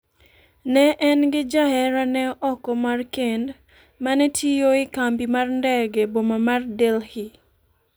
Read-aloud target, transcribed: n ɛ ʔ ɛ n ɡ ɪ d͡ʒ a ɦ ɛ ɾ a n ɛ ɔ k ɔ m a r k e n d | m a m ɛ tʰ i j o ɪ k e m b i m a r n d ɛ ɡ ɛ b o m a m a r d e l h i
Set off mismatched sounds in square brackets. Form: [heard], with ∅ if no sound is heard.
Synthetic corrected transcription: n ɛ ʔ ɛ n ɡ ɪ d͡ʒ a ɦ ɛ ɾ a n ɛ ɔ k ɔ m a r k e n d | m a [n] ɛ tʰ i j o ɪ k [a] m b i m a r n d ɛ ɡ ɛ b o m a m a r d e l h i